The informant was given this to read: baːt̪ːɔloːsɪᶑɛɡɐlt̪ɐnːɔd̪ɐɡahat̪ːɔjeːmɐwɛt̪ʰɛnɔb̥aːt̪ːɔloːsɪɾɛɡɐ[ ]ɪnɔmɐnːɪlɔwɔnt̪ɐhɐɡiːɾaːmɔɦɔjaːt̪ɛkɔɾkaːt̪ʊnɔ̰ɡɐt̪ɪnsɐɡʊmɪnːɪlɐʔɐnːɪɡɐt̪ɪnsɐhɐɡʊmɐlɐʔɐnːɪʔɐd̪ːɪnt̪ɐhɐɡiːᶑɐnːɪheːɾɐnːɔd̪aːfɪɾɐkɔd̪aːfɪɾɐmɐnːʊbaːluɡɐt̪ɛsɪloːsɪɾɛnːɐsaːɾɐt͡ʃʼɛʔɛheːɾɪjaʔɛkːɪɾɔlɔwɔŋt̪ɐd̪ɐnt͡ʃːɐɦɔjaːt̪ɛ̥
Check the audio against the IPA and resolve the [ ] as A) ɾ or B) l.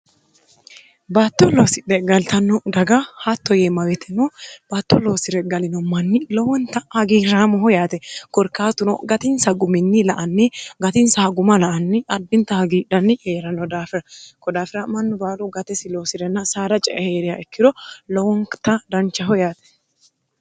B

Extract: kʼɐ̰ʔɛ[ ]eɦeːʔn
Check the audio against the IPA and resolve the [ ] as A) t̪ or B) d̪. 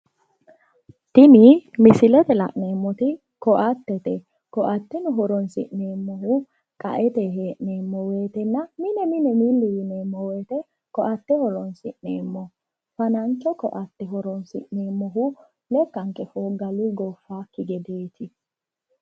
A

